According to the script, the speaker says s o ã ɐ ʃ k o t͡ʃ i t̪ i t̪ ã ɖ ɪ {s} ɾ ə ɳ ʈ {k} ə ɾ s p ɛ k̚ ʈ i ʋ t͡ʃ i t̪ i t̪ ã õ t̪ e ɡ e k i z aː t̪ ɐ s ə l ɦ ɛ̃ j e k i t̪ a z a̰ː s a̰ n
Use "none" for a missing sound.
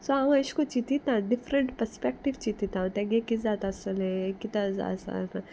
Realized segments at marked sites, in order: f, p

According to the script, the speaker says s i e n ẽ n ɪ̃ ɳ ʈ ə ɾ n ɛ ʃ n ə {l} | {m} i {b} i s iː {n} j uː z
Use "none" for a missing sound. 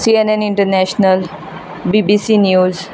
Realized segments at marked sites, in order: l, b, b, n

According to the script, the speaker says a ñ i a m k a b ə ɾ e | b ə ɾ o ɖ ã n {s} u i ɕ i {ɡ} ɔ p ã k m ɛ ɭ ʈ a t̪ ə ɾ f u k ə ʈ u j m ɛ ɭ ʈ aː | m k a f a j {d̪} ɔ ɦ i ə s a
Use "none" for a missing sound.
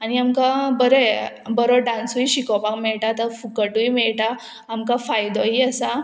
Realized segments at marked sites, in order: s, k, d̪

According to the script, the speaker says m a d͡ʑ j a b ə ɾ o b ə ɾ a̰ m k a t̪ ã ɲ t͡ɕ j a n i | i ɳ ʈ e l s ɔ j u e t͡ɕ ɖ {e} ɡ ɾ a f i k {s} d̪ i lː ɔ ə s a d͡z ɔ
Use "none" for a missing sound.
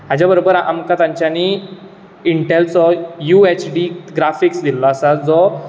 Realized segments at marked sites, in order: i, s

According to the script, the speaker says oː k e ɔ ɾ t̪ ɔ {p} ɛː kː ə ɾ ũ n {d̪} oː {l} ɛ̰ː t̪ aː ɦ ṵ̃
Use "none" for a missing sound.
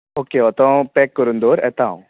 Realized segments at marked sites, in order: p, d̪, ɾ

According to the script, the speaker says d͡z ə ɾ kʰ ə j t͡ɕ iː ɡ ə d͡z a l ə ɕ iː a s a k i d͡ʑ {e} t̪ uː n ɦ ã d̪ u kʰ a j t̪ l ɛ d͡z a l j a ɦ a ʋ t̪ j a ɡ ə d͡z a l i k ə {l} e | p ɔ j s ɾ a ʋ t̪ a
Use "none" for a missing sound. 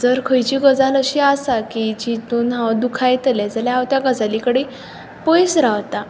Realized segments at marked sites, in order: i, ɽ

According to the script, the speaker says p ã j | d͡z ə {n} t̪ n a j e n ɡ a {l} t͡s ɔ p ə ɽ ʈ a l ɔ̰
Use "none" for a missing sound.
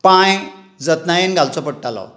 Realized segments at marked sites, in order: none, l

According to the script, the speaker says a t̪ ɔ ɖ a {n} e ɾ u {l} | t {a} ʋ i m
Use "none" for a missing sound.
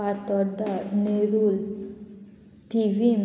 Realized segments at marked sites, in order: n, l, i

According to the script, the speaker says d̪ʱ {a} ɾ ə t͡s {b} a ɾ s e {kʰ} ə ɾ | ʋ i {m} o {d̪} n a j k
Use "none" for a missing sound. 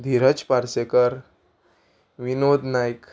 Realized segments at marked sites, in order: i, p, k, n, d̪

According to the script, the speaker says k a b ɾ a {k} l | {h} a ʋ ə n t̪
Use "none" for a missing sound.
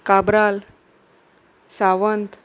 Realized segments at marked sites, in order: none, s

